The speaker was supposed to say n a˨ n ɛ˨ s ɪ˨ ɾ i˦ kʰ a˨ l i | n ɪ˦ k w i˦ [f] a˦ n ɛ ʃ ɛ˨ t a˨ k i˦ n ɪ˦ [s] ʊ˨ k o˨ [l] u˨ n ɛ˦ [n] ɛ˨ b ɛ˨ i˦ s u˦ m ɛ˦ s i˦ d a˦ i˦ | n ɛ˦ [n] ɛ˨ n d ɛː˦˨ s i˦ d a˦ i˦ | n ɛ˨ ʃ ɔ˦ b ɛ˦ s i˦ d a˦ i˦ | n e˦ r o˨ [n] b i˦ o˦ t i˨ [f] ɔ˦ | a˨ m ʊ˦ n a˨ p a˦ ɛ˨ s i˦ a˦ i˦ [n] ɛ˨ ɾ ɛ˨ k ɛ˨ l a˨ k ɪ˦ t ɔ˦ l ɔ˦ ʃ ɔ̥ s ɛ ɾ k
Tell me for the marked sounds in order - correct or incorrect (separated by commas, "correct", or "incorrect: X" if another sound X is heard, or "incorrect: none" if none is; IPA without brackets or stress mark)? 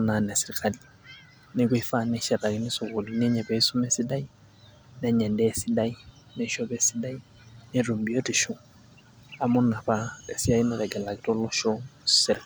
correct, correct, correct, incorrect: ɲ, incorrect: ɲ, incorrect: m, incorrect: ʃ, correct